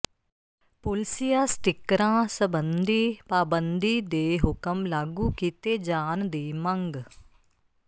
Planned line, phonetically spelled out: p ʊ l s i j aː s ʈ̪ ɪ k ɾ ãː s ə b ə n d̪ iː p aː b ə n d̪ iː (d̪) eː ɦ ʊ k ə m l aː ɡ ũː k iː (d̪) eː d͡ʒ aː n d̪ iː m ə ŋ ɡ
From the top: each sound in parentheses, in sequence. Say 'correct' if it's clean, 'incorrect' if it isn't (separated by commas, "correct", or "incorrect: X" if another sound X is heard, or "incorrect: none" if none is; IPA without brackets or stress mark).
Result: correct, incorrect: t̪